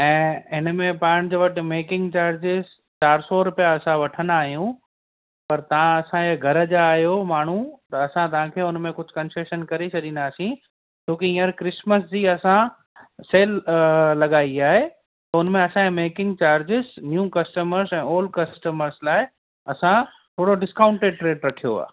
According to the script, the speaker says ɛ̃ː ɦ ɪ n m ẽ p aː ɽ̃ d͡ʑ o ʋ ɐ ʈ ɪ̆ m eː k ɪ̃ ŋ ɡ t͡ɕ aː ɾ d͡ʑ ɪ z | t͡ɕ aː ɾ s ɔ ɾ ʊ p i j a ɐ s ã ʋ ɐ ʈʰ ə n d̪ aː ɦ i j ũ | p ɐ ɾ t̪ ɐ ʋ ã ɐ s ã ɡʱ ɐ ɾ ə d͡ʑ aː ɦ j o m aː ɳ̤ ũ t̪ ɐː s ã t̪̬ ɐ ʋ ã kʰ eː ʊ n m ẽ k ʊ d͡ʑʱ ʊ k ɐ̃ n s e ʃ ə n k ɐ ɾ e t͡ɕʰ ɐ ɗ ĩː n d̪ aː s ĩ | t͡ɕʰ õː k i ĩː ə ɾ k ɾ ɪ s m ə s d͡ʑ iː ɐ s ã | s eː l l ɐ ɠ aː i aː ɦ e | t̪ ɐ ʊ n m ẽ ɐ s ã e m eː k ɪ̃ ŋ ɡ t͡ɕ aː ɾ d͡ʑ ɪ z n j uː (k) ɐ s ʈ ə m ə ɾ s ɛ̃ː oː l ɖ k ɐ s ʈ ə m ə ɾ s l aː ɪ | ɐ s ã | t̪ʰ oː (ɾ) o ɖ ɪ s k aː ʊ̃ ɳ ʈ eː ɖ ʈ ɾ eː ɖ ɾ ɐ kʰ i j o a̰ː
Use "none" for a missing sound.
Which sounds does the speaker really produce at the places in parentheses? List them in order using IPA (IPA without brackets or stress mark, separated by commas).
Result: k, ɽ